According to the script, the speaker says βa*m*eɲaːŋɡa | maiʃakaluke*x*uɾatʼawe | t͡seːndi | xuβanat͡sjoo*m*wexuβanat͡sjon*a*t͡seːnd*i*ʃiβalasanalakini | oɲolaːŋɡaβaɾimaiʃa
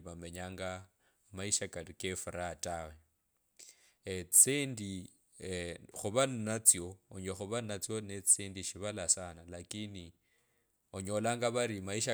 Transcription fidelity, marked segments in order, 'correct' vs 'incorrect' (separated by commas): correct, incorrect, incorrect, incorrect, correct